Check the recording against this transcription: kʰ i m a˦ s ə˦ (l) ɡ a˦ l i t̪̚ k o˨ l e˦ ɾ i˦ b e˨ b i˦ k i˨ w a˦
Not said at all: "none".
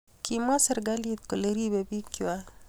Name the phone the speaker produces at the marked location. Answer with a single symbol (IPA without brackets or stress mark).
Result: ɾ